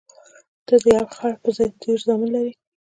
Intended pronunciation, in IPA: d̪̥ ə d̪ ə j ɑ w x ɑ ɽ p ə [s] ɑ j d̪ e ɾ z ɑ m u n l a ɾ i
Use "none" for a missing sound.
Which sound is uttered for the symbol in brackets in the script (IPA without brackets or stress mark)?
z